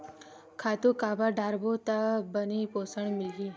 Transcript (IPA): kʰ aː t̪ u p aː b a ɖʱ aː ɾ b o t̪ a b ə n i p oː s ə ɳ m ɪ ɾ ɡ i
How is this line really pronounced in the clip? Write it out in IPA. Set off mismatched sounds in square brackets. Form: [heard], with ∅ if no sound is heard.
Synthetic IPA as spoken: kʰ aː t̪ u [k] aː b a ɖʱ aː ɾ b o t̪ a b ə n i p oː s ə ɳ m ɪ [l] ɡ i